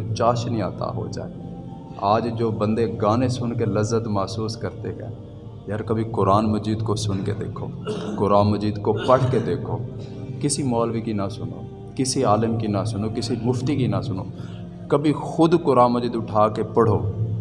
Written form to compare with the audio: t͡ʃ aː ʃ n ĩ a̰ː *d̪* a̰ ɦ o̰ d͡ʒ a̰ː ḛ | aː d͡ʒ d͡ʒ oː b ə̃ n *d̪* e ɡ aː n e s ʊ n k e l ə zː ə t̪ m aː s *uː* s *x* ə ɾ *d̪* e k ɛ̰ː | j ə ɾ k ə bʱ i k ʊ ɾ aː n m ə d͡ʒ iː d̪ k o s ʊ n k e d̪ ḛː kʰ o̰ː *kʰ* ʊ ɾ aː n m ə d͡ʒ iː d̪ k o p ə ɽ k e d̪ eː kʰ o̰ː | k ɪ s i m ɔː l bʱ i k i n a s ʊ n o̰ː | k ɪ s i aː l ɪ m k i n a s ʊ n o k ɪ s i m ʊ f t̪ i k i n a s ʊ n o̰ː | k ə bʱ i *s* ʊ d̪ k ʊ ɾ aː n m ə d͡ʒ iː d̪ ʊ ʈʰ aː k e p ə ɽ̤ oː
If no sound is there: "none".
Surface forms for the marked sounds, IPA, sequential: t̪, d̪, uː, k, t̪, k, x

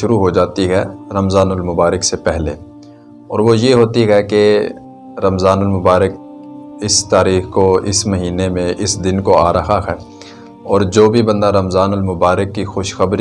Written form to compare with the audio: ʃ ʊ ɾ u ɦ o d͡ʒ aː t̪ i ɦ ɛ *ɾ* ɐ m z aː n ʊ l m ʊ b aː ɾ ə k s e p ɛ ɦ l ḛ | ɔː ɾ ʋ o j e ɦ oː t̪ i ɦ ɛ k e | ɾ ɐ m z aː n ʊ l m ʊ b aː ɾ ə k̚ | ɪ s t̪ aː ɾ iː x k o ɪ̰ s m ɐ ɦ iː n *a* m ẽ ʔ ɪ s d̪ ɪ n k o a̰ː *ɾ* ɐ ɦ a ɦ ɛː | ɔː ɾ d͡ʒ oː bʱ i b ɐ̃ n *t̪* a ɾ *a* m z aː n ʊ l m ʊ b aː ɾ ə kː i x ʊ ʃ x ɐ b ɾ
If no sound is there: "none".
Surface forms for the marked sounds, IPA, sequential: ɾ, e, ɾ, d̪, ɐ

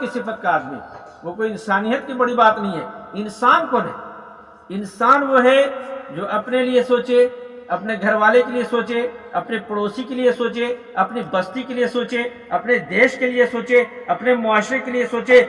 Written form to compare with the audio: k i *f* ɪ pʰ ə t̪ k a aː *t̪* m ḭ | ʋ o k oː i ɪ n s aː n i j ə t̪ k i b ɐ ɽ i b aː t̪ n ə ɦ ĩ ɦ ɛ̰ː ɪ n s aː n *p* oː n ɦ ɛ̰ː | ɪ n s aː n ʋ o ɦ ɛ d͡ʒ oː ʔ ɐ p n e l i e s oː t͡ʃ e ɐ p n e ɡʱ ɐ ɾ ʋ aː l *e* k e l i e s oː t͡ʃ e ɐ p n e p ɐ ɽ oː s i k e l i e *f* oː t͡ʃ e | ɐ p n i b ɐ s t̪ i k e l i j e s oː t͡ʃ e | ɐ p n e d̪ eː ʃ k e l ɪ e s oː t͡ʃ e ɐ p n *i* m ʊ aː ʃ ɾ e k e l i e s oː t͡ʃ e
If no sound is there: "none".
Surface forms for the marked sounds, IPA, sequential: s, d̪, k, e, s, e

